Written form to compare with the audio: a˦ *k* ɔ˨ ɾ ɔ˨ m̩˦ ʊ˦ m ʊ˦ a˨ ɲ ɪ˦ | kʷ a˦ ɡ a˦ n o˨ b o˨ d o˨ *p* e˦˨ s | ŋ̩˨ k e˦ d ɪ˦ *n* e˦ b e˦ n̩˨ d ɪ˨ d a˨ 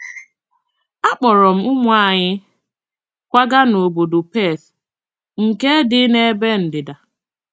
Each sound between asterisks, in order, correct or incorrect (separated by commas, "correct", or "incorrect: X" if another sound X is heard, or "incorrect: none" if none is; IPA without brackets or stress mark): incorrect: k͡p, correct, correct